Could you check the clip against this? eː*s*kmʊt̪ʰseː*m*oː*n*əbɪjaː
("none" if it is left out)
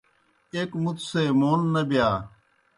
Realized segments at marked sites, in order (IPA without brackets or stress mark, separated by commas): none, m, nː